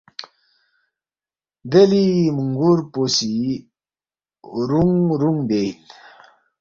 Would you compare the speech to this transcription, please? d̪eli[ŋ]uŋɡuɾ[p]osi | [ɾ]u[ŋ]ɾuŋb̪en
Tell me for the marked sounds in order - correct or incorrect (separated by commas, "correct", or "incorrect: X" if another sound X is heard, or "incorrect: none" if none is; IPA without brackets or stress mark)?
incorrect: m, correct, correct, correct